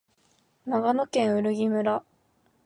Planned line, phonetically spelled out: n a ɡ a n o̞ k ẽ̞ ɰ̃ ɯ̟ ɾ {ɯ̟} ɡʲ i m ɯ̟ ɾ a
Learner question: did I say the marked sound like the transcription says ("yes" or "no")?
yes